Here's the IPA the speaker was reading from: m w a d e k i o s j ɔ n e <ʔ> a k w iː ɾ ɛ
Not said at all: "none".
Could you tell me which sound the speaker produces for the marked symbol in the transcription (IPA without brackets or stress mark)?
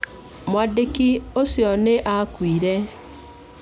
ʔ